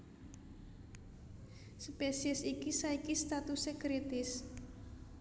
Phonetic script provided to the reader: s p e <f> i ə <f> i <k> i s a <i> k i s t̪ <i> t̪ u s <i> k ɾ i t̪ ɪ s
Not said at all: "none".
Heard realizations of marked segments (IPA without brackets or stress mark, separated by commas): s, s, k, i, a, e